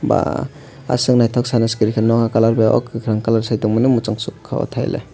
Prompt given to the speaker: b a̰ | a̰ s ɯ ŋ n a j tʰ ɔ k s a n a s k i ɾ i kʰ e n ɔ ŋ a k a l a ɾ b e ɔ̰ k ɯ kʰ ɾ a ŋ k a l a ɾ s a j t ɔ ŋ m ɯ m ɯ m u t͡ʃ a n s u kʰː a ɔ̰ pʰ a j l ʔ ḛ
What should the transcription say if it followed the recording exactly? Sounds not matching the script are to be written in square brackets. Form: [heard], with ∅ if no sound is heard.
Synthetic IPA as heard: b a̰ | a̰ s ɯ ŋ n a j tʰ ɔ k s a n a s k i ɾ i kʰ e n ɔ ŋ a k a l a ɾ b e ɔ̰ k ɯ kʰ ɾ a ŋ k a l a ɾ s a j t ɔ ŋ m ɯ [n] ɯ m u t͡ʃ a [ŋ] s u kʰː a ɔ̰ [tʰ] a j l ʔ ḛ